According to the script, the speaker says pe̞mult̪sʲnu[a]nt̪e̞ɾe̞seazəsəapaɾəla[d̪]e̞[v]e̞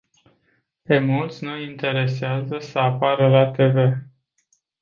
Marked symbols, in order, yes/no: no, no, yes

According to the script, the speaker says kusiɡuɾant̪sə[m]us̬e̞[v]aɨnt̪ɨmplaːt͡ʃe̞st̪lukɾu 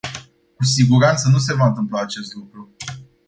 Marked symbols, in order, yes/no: no, yes

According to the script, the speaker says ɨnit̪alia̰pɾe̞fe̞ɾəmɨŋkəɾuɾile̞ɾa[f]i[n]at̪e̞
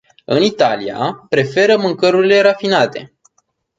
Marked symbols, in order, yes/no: yes, yes

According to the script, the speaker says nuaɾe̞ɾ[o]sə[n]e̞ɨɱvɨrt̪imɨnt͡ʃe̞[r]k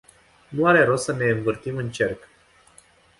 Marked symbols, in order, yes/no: yes, yes, yes

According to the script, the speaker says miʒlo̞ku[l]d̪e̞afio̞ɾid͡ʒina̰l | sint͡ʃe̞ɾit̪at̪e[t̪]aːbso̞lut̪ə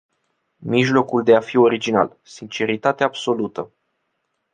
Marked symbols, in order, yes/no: yes, no

